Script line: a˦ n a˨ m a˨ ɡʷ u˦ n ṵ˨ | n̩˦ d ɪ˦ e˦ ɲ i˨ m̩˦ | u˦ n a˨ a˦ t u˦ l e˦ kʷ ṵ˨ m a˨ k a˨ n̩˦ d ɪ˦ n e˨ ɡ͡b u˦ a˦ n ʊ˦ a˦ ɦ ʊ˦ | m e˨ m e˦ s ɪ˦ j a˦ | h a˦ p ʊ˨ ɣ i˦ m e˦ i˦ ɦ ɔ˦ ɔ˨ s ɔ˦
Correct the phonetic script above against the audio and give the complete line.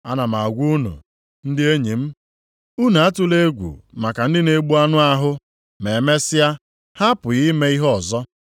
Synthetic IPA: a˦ n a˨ m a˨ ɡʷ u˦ n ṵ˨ | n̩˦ d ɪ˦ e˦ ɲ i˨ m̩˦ | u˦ n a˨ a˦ t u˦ l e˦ ɡʷ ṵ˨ m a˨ k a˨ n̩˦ d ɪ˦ n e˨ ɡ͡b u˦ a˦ n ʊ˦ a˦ ɦ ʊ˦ | m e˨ m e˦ s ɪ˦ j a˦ | h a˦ p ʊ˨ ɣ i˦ m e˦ i˦ ɦ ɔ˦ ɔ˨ z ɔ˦

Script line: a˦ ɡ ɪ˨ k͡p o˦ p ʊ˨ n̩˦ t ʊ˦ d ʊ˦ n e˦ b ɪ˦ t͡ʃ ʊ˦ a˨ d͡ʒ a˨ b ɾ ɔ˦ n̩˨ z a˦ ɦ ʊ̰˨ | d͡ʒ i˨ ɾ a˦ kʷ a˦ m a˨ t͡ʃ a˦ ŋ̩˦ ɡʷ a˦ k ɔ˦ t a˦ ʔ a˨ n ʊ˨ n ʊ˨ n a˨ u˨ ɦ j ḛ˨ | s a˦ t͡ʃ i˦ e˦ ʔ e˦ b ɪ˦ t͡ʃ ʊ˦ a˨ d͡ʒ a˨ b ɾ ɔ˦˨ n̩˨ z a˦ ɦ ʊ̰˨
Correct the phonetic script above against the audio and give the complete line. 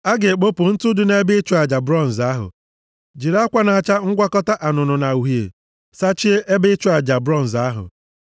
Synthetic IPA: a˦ ɡ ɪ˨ k͡p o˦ p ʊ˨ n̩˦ t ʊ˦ d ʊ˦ n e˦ b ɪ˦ t͡ʃ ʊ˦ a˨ d͡ʒ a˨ b ɾ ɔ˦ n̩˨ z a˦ ɦ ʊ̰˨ | d͡ʒ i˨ ɾ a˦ kʷ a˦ n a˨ t͡ʃ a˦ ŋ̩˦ ɡʷ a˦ k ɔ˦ t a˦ ʔ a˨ n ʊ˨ n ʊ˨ n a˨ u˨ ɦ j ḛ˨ | s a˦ t͡ʃ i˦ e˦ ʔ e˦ b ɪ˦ t͡ʃ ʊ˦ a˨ d͡ʒ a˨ b ɾ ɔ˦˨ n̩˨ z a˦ ɦ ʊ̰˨

